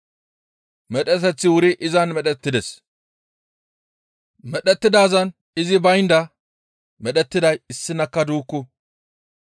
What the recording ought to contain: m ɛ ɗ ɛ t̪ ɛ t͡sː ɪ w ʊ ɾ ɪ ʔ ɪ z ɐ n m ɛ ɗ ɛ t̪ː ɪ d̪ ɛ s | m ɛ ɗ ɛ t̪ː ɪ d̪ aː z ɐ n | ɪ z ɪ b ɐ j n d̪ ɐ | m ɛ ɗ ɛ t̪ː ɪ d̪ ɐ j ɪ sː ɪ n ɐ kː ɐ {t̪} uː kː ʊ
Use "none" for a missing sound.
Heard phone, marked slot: d̪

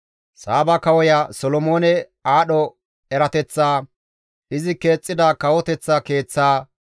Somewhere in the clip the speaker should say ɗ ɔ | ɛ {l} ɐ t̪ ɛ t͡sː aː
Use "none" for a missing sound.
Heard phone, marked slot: ɾ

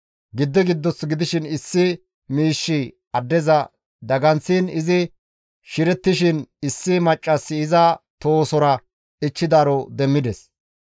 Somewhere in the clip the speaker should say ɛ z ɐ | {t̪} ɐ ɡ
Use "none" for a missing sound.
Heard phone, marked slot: d̪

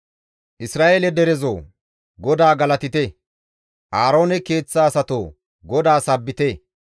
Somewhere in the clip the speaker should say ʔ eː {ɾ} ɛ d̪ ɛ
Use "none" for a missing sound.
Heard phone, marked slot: l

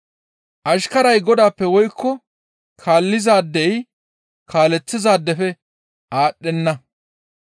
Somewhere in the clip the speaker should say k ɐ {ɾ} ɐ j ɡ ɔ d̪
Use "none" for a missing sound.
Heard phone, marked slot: ɾ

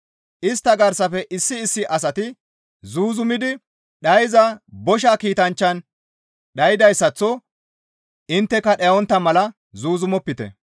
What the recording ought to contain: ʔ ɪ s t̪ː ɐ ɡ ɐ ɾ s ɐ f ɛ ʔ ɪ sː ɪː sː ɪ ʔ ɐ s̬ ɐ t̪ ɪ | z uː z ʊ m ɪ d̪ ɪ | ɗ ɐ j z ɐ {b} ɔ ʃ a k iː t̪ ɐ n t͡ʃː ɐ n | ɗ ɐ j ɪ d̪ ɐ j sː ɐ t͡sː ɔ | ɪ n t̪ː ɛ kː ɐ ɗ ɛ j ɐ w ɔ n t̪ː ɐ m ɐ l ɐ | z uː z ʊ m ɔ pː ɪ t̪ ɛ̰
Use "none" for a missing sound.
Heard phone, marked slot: b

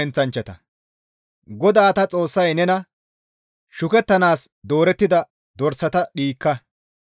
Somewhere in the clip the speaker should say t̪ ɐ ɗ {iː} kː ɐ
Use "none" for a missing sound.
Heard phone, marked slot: iː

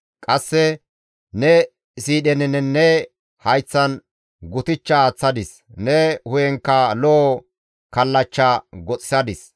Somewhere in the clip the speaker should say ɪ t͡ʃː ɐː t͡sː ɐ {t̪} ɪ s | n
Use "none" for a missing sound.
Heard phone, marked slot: d̪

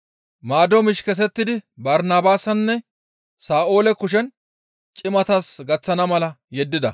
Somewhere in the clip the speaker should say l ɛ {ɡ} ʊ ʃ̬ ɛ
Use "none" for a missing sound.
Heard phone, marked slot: k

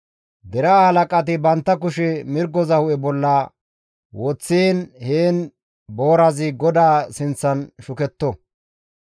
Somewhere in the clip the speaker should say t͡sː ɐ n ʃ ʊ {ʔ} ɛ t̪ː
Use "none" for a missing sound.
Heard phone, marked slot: k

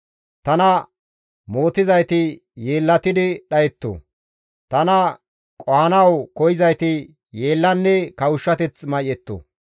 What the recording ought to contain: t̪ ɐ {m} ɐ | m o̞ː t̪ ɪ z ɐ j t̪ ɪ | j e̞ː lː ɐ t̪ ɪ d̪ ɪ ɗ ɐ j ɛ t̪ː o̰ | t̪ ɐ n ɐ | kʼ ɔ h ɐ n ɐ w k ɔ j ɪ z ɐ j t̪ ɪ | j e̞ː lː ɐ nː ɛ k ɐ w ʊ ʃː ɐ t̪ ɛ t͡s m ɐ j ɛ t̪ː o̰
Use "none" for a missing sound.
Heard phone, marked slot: n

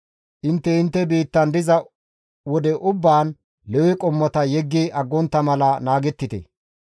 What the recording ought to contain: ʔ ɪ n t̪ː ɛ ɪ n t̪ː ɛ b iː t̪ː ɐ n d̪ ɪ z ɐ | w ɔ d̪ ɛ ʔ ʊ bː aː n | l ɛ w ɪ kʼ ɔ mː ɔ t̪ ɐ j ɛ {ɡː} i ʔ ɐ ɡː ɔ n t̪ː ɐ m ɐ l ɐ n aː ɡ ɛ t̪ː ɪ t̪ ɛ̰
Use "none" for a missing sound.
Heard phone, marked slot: ɡː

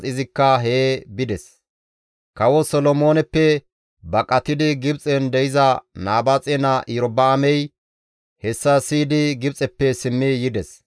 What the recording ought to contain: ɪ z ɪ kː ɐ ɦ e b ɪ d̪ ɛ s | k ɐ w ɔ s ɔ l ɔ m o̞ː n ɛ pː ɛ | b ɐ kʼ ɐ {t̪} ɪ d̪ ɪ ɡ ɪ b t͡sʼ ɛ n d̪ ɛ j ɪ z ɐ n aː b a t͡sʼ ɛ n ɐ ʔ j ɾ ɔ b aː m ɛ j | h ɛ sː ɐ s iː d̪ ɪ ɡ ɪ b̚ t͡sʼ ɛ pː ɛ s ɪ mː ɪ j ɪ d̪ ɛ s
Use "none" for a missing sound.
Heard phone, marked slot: t̪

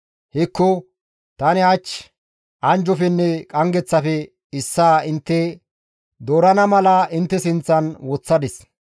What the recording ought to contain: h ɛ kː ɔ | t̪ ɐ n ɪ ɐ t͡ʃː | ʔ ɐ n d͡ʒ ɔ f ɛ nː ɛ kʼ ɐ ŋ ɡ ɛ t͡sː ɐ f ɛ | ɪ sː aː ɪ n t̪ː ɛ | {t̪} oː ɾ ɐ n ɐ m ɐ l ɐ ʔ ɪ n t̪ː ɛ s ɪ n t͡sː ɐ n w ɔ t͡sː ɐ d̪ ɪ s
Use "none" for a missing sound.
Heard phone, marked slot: d̪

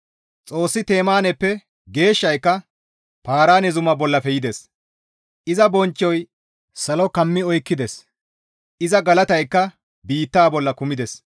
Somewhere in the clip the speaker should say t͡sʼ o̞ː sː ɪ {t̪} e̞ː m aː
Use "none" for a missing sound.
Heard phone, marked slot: t̪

